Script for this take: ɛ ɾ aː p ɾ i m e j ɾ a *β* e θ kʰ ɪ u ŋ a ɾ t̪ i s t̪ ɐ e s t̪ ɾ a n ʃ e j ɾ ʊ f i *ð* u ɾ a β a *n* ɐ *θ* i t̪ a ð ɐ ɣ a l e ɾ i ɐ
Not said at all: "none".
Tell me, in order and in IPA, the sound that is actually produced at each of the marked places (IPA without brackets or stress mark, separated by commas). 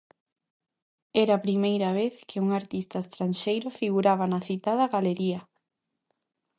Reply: β, ɣ, n, θ